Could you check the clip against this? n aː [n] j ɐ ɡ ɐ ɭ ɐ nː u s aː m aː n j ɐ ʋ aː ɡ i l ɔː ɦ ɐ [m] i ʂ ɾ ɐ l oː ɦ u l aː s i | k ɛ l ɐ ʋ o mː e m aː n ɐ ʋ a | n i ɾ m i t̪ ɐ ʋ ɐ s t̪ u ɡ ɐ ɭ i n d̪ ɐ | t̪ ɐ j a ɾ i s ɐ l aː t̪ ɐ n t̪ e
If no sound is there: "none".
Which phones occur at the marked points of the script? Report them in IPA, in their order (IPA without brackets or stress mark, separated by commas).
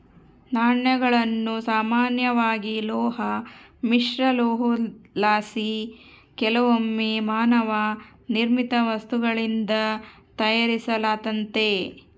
ɳ, m